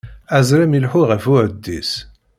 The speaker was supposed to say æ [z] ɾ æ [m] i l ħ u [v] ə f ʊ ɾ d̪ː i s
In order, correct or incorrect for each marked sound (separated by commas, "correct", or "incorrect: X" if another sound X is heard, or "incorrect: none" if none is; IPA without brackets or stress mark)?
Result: correct, correct, incorrect: ʁ